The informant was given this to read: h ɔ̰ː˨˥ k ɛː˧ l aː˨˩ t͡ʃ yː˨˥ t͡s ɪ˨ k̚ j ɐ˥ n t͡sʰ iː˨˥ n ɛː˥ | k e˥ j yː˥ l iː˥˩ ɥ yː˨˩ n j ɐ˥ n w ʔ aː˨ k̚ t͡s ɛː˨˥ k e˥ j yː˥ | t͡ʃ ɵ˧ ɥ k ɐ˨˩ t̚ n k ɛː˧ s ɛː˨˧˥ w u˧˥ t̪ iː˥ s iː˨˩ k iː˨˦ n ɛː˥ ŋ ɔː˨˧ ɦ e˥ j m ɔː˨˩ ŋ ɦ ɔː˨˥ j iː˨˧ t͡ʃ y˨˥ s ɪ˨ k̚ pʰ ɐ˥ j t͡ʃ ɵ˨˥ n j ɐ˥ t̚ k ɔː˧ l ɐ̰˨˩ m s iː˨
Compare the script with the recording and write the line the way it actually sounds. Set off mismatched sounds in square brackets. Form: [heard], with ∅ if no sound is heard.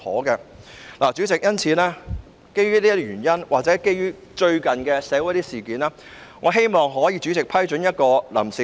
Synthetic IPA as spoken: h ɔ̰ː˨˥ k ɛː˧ l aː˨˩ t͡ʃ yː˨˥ t͡s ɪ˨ k̚ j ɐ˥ n t͡sʰ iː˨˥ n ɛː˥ | k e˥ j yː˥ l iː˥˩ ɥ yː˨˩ n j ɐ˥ n w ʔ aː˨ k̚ t͡s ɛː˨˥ k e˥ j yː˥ | t͡ʃ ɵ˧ ɥ k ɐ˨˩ [∅] n k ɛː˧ s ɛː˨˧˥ w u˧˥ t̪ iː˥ s iː˨˩ k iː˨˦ n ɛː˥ ŋ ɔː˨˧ ɦ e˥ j m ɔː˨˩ ŋ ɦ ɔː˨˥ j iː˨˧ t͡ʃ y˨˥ [t͡s] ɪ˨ k̚ pʰ ɐ˥ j t͡ʃ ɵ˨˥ n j ɐ˥ t̚ k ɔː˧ l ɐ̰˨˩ m s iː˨